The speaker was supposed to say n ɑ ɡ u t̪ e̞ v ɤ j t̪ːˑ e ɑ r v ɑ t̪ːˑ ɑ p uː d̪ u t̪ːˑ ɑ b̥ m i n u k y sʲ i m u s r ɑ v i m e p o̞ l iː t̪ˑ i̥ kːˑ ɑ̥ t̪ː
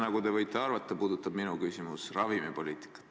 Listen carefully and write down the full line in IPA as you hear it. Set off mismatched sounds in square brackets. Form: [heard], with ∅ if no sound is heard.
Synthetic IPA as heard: n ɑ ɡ u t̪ e̞ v ɤ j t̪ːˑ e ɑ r v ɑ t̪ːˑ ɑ p uː d̪ u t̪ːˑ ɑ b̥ m i n u k y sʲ i m u s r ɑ v i m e p o̞ l iː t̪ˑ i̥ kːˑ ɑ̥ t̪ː